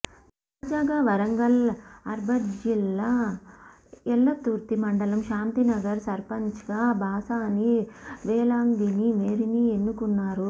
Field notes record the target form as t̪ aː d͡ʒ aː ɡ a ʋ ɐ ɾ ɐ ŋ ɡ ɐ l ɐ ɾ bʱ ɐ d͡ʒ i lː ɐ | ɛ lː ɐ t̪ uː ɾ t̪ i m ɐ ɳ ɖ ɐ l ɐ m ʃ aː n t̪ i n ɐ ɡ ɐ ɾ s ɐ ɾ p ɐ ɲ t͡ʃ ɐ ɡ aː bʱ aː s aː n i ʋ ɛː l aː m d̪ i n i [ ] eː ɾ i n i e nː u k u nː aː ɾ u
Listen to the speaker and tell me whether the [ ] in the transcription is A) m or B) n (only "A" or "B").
A